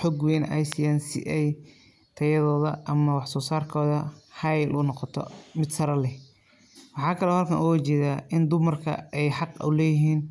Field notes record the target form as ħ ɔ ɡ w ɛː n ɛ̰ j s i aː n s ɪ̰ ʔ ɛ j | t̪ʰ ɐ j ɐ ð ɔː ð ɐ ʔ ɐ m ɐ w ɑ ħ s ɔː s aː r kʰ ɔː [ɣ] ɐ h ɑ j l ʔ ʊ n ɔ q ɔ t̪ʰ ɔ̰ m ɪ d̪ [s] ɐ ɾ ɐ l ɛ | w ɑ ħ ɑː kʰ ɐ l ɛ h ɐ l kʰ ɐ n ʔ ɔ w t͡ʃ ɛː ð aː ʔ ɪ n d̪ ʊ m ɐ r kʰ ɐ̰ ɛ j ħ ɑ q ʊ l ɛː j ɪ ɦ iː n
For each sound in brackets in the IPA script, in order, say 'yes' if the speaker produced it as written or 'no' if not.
no, yes

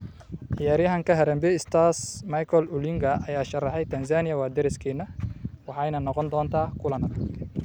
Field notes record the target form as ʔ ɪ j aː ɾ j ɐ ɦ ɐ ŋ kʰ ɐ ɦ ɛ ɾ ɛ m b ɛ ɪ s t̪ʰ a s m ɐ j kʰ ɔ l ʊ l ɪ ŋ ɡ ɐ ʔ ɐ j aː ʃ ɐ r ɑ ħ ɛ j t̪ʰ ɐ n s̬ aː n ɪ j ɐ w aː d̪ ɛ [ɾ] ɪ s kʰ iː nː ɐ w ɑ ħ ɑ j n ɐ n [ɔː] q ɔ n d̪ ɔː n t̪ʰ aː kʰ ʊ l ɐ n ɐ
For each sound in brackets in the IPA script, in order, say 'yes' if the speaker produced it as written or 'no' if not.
yes, no

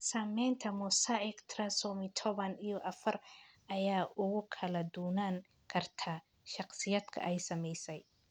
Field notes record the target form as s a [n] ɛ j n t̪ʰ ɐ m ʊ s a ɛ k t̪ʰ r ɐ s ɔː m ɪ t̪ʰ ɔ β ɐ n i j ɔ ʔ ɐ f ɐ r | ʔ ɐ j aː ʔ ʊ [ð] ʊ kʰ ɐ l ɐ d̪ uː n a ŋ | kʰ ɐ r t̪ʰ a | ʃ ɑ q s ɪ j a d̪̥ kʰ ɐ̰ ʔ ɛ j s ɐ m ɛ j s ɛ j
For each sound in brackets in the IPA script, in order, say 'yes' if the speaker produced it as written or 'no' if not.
no, no

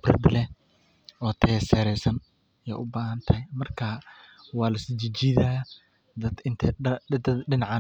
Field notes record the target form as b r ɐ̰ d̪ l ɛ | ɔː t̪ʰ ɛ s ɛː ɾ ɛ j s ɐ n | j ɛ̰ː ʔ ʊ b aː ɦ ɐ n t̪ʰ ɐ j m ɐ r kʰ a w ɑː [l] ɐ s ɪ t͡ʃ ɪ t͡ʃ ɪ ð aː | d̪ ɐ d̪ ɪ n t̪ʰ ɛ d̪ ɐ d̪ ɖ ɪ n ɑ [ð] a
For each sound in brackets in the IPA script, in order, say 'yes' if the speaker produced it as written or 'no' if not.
yes, no

